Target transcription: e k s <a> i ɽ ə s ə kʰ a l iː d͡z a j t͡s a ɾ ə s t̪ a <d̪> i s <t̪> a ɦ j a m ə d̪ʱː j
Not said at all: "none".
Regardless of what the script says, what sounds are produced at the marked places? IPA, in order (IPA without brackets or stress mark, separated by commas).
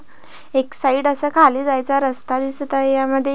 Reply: a, d̪, t̪